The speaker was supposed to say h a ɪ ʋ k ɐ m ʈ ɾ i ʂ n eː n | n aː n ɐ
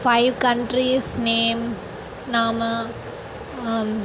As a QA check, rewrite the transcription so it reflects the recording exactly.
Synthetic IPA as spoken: f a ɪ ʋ k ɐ ɳ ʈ ɾ i s n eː m | n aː m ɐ